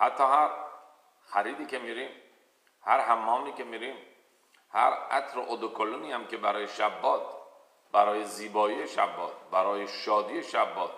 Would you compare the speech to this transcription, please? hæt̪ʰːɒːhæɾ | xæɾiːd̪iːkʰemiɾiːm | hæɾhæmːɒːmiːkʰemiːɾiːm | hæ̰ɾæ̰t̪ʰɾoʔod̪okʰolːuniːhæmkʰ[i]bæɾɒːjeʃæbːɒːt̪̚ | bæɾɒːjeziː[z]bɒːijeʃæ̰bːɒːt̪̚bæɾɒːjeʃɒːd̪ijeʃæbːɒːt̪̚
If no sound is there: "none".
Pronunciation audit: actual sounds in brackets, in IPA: e, none

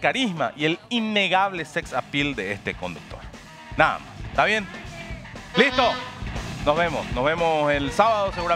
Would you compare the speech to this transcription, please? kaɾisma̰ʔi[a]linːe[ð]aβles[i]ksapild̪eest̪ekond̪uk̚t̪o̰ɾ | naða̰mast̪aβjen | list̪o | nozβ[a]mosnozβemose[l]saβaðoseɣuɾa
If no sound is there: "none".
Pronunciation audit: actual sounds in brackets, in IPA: e, ɣ, e, e, l

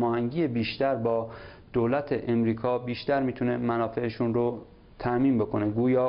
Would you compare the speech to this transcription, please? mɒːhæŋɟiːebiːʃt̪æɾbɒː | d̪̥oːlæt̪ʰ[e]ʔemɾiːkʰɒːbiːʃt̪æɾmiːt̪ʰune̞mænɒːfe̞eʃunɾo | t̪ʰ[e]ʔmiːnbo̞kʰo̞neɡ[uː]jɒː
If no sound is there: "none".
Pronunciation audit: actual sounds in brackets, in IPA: e, æ, uː

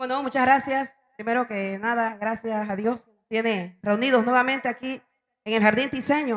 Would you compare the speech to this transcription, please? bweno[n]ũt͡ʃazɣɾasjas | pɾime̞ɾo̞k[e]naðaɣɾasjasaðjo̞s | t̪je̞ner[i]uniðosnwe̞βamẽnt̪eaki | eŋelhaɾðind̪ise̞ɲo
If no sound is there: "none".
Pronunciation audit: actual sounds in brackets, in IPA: m, e, e

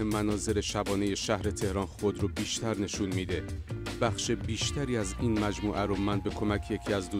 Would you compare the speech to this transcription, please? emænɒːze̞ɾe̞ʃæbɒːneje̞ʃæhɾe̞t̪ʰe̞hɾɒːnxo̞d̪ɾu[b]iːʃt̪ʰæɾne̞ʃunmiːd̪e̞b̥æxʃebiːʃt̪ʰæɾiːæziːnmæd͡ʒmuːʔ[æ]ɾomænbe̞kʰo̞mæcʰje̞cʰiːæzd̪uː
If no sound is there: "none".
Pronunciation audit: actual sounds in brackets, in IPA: b, æ

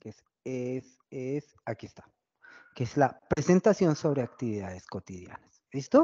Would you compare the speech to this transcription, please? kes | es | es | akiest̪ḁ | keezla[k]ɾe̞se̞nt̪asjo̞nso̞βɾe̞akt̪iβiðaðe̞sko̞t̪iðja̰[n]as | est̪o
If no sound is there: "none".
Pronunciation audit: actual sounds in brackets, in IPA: p, n

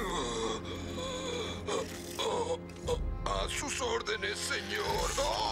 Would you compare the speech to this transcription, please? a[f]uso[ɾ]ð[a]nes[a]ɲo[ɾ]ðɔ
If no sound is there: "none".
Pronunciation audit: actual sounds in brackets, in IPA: s, ɾ, e, e, ɾ

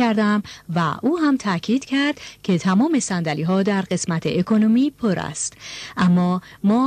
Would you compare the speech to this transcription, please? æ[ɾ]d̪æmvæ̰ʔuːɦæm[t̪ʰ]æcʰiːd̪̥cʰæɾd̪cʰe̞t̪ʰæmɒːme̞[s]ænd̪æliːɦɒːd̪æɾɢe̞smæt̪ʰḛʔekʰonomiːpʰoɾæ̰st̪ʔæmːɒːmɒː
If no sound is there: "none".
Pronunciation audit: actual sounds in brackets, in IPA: ɾ, t̪ʰ, s

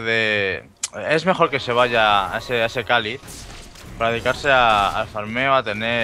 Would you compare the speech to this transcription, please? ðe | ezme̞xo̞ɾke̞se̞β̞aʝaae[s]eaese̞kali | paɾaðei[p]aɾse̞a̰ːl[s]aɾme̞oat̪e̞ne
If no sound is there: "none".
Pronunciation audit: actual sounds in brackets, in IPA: s, k, f

